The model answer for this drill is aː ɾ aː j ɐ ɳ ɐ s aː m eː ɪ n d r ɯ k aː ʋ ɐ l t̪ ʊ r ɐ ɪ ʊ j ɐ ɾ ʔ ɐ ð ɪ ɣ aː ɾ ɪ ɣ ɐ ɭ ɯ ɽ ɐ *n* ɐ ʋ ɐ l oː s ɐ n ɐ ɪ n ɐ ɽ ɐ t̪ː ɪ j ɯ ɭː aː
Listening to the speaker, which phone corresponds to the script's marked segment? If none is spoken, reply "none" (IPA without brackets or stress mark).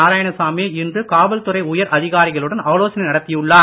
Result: n